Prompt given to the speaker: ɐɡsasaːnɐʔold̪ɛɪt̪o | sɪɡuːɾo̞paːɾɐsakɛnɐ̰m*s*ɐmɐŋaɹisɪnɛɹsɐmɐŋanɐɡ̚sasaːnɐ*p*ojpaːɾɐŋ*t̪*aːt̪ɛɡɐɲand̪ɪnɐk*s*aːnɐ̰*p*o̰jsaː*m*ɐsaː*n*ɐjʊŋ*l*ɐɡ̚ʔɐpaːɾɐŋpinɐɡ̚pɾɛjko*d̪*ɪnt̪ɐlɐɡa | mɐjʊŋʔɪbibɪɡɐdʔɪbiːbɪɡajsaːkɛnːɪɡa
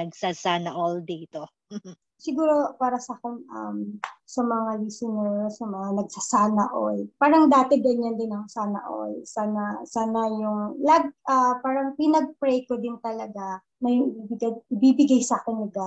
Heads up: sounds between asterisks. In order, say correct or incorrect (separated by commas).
correct, incorrect, incorrect, correct, incorrect, incorrect, correct, correct, correct